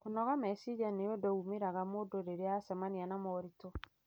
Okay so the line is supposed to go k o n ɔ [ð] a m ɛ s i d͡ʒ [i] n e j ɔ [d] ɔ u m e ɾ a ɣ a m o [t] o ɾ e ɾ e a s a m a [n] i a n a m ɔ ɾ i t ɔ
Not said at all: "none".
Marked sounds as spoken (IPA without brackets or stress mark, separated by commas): ɣ, a, d, d, n